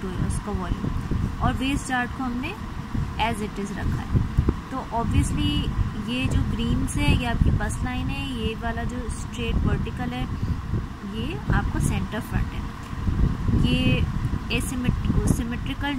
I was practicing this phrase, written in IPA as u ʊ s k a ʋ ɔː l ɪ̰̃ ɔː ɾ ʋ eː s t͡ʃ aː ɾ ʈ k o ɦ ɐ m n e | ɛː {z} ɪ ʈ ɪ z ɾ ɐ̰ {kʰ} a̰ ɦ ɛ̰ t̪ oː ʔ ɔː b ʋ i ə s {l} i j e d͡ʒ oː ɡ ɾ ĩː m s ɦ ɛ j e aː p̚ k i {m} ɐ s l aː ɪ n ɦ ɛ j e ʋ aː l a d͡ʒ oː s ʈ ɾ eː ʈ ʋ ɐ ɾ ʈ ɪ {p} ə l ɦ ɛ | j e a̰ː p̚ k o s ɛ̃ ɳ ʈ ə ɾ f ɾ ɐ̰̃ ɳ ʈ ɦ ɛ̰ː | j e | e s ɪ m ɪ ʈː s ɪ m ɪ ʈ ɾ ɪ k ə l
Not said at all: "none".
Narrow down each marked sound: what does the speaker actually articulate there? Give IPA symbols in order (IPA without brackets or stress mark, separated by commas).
z, kʰ, l, b, k